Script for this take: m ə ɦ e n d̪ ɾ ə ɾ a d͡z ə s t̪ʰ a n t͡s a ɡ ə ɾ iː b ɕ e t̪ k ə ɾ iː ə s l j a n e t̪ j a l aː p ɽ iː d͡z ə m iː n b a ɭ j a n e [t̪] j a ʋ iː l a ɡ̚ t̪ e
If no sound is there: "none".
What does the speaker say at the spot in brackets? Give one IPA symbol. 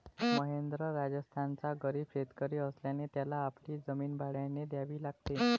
d̪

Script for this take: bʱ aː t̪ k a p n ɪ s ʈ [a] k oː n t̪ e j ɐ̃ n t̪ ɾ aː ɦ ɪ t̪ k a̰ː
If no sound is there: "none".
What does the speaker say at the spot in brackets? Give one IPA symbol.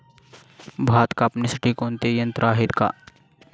i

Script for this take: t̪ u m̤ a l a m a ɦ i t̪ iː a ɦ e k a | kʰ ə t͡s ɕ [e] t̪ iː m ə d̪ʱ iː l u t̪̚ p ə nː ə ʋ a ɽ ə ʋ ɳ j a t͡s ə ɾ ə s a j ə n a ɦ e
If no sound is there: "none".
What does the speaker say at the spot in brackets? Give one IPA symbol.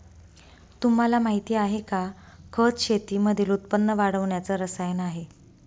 e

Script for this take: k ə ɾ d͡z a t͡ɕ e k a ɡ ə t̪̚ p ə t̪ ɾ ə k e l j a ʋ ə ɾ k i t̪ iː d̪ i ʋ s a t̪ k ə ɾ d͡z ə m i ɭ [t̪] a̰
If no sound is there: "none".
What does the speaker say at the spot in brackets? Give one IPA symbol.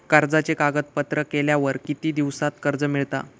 t̪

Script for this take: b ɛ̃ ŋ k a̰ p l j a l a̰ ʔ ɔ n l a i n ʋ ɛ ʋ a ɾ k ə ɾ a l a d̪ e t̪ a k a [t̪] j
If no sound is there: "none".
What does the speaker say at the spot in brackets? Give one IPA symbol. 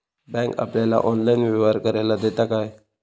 none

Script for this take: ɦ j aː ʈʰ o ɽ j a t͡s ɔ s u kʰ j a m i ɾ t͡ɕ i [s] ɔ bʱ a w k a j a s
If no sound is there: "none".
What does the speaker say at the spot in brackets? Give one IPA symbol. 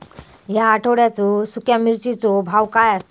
t͡s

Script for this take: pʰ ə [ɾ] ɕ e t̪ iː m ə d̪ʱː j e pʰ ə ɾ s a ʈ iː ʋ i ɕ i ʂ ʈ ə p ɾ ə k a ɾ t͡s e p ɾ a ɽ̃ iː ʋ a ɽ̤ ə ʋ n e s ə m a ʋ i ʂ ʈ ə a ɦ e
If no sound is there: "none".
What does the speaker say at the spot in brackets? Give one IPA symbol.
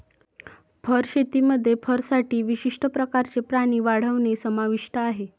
ɾ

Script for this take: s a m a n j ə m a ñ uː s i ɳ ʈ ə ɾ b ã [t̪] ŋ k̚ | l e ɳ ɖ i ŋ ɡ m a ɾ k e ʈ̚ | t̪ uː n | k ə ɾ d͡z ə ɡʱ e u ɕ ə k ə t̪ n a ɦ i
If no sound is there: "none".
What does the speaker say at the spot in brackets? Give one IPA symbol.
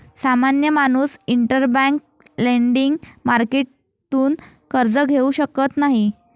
none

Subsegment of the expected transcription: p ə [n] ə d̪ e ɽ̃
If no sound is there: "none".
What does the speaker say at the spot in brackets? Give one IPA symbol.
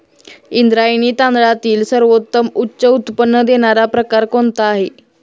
nː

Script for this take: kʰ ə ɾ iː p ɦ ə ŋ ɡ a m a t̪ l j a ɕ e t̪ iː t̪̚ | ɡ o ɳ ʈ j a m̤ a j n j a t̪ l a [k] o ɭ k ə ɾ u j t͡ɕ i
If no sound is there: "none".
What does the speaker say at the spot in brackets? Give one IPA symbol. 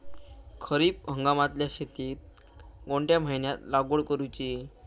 ɡ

